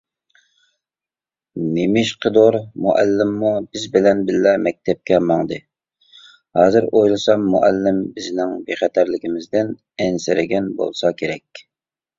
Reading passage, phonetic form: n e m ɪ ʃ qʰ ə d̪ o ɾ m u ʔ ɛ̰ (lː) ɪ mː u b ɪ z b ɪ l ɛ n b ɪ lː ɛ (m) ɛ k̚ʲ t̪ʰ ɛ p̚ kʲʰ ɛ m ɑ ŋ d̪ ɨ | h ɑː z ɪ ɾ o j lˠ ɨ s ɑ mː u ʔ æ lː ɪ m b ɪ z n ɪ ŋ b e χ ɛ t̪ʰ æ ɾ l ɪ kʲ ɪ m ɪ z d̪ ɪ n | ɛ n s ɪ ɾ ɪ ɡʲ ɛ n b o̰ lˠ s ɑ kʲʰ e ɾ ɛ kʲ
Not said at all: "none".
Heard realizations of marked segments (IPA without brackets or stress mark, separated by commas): lː, m